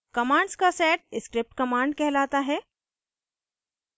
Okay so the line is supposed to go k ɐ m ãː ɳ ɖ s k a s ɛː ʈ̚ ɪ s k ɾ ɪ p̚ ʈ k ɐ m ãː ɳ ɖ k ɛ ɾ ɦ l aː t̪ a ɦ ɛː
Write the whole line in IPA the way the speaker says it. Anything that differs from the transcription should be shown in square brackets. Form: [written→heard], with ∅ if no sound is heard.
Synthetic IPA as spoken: k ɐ m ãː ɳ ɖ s k a s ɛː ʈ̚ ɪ s k ɾ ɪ p̚ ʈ k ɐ m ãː ɳ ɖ k ɛ [ɾ→∅] ɦ l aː t̪ a ɦ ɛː